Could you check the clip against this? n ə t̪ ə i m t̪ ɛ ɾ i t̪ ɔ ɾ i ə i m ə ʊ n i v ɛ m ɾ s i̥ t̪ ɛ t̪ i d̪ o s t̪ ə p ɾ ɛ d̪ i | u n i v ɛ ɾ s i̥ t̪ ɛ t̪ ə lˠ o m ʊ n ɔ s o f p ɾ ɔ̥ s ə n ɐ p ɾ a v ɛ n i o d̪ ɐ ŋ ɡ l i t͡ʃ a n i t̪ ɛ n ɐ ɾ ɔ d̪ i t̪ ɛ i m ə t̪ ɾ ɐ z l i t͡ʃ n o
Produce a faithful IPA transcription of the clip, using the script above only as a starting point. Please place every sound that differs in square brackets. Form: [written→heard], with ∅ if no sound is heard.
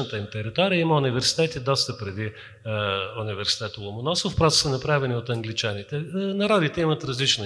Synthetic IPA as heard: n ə t̪ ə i m t̪ ɛ ɾ i t̪ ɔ ɾ i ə i m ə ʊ n i v ɛ [m→∅] ɾ s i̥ t̪ ɛ t̪ i d̪ [o→ɔ] s t̪ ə p ɾ ɛ d̪ i | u n i v ɛ ɾ s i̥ t̪ ɛ t̪ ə lˠ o m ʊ n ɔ s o f p ɾ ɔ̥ s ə n ɐ p ɾ a v ɛ n i o [d̪→t̪] ɐ ŋ ɡ l i t͡ʃ a n i t̪ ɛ n ɐ ɾ ɔ d̪ i t̪ ɛ i m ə t̪ ɾ ɐ z l i t͡ʃ n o